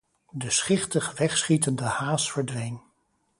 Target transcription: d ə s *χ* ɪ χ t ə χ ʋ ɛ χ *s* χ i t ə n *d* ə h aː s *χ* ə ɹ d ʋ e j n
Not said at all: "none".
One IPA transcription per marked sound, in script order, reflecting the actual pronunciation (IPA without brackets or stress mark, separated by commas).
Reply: χ, s, d, f